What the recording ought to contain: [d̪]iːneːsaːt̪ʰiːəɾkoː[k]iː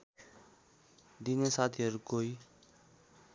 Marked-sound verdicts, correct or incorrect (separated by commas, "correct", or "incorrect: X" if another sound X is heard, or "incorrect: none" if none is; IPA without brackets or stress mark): correct, incorrect: none